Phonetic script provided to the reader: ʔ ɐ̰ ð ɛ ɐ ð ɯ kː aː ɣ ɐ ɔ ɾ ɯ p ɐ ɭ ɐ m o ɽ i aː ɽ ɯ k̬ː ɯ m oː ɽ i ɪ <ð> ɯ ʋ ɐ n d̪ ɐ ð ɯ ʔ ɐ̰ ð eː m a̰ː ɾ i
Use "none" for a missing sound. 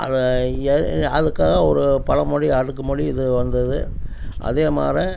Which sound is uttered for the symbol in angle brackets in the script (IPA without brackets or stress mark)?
ð